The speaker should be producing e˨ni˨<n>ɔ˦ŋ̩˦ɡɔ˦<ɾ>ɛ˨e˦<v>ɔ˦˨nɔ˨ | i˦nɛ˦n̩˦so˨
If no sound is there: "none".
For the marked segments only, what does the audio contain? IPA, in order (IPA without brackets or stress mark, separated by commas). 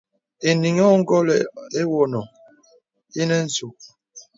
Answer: ŋ, l, w